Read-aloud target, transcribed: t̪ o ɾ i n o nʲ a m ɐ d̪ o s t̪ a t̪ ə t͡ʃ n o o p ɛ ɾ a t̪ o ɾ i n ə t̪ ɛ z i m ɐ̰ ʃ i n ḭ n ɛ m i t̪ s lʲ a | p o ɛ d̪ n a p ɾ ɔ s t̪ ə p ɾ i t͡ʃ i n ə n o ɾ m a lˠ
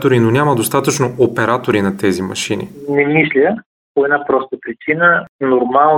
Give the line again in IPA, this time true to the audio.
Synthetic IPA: t̪ o ɾ i n o nʲ a m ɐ d̪ o s t̪ a t̪ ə t͡ʃ n o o p ɛ ɾ a t̪ o ɾ i n ɐ t̪ ɛ z i m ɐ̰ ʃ i n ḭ n ɛ m i s lʲ ə | p o ɛ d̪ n a p ɾ ɔ s t̪ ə p ɾ i t͡ʃ i n ə n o ɾ m a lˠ